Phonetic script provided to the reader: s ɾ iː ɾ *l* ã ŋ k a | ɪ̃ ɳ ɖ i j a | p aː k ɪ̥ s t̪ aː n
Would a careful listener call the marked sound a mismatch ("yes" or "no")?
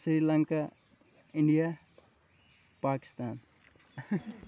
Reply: no